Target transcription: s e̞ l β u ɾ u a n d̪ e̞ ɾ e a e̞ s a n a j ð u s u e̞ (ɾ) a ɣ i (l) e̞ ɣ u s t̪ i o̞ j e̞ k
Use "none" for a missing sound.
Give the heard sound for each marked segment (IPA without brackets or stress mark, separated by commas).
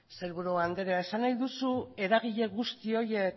ɾ, ʎ